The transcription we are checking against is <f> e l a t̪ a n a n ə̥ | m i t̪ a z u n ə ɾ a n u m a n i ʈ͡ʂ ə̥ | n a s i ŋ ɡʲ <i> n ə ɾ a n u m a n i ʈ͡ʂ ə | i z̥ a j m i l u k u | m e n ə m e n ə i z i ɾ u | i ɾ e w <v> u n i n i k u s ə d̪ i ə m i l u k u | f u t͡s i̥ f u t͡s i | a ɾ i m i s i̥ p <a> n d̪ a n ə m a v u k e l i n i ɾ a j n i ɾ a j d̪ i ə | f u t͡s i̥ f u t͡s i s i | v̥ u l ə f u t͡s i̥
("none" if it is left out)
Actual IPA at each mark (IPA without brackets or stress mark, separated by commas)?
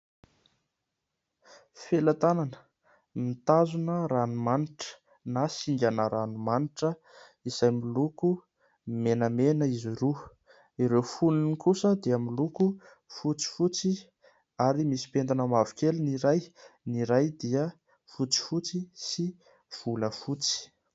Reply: f, a, f, e